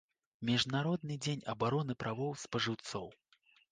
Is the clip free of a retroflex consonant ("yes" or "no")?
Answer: no